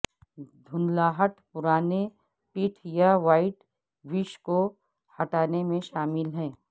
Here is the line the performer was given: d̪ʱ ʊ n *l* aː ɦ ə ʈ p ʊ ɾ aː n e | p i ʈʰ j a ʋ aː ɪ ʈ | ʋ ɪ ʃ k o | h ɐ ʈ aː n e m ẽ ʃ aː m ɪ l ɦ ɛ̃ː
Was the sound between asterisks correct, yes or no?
yes